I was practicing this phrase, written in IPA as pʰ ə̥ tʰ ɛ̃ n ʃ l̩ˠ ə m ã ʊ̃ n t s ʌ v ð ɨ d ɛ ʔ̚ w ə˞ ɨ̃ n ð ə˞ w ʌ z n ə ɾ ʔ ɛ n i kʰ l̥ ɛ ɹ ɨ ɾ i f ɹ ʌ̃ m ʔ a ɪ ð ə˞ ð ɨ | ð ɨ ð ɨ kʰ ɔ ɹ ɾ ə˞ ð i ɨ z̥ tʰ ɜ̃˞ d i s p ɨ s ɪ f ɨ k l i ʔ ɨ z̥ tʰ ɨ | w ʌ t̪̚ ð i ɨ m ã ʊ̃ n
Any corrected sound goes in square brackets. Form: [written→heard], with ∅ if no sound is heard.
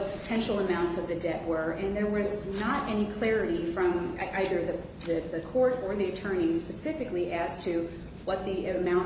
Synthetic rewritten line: pʰ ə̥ tʰ ɛ̃ n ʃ l̩ˠ ə m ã ʊ̃ n t s ʌ v ð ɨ d ɛ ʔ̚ w ə˞ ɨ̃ n ð ə˞ w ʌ z n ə ɾ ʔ ɛ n i kʰ l̥ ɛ ɹ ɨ ɾ i f ɹ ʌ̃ m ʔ a ɪ ð ə˞ ð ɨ | ð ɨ ð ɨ kʰ ɔ ɹ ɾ ə˞ ð i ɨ [z̥→∅] tʰ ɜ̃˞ [d→n] i s p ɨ s ɪ f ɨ k l i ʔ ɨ z̥ tʰ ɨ | w ʌ t̪̚ ð i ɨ m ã ʊ̃ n